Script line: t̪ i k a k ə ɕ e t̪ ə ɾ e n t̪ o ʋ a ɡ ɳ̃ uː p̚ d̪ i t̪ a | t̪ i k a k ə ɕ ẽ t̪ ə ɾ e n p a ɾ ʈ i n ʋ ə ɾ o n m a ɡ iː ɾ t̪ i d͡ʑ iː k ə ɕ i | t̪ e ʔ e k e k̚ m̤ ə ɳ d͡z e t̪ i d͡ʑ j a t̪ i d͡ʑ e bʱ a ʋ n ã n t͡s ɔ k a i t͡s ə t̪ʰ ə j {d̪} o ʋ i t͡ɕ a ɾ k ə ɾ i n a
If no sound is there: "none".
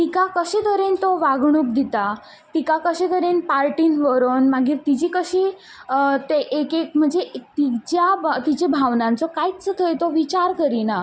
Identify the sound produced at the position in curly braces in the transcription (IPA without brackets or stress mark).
t̪